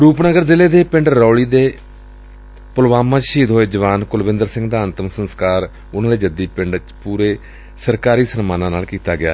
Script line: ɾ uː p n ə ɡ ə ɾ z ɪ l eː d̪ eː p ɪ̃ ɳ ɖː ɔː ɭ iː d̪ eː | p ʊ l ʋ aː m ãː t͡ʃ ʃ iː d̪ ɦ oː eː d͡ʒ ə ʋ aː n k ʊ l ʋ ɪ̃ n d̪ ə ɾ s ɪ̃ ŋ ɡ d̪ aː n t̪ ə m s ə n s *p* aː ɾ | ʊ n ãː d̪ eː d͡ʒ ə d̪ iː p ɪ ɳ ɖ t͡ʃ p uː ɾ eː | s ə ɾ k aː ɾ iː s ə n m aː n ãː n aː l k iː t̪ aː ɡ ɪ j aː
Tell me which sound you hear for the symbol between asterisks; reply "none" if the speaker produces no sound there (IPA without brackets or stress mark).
k